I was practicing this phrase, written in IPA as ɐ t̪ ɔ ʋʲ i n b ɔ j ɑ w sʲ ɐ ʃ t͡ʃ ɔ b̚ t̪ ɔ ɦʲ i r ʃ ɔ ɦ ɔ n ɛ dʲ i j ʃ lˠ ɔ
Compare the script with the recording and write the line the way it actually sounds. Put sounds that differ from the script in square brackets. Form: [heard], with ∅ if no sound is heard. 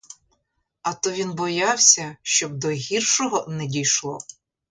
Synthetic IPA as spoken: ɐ t̪ ɔ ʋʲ i n b ɔ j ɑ w sʲ ɐ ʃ t͡ʃ ɔ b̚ [d̪] ɔ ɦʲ i r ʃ ɔ ɦ ɔ n ɛ dʲ i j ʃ lˠ ɔ